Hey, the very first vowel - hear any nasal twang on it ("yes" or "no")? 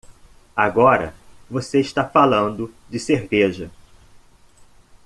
no